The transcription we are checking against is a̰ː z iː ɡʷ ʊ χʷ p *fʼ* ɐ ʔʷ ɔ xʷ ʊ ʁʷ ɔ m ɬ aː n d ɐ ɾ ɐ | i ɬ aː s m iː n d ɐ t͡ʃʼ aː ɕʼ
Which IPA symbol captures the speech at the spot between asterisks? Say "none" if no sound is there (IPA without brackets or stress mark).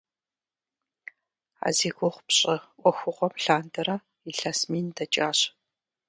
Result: ɕʼ